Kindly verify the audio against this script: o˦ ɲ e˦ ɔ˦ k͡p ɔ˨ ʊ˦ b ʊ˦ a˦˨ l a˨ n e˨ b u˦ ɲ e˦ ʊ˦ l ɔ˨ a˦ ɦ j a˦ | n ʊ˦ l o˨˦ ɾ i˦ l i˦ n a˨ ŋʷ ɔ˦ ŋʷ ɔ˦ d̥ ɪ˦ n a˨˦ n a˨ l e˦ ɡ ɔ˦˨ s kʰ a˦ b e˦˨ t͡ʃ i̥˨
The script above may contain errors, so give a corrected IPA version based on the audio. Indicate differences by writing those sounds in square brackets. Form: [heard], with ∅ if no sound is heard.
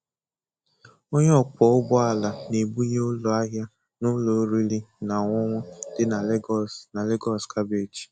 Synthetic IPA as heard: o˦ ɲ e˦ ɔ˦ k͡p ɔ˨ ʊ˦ b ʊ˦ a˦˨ l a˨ n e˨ b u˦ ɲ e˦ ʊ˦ l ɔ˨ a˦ ɦ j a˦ | n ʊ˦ l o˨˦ ɾ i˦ l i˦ n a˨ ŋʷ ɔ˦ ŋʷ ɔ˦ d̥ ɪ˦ n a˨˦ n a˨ l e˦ ɡ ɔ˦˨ s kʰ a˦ b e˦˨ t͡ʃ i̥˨